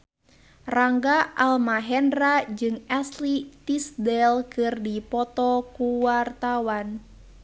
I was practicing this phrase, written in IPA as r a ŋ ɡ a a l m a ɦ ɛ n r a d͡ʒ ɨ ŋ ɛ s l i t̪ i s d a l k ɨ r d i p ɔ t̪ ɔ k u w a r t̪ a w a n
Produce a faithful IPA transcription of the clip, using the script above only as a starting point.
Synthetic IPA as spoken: r a ŋ ɡ a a l m a ɦ ɛ n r a d͡ʒ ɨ ŋ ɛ s l i t̪ i s d ɛ l k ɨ r d i p ɔ t̪ ɔ k u w a r t̪ a w a n